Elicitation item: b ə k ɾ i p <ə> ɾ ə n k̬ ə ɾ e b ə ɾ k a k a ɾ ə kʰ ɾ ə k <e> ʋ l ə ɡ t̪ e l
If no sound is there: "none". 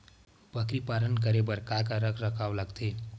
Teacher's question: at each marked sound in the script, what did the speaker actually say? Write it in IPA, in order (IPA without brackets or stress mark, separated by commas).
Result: a, a